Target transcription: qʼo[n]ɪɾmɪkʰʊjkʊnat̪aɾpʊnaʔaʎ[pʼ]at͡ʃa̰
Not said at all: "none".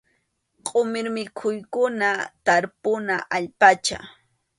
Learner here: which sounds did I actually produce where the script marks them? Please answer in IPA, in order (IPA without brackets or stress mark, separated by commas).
m, p